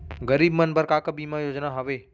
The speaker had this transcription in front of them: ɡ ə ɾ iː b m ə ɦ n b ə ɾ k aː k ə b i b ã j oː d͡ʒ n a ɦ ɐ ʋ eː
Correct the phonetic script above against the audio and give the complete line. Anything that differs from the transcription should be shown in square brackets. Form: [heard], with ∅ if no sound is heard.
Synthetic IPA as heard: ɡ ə ɾ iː b m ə [∅] n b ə ɾ k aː k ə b i [m] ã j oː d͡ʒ n a ɦ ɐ ʋ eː